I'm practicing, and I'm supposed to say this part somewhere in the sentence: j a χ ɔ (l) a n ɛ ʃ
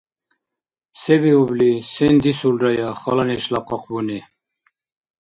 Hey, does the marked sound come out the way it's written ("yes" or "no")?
yes